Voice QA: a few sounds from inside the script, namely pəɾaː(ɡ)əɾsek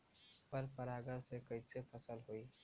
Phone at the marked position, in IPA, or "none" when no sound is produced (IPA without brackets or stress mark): ɡ